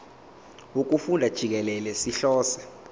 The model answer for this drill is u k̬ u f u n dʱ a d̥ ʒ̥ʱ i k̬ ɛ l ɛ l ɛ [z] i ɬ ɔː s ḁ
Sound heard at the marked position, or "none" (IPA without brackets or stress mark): s